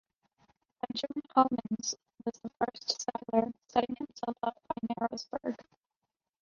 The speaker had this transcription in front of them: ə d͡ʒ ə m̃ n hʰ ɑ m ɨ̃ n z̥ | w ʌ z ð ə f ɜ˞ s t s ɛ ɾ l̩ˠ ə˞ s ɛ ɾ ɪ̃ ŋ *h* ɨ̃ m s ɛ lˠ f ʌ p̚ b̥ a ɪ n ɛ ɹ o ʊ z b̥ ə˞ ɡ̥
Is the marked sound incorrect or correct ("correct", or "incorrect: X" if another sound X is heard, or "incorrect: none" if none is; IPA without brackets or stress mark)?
correct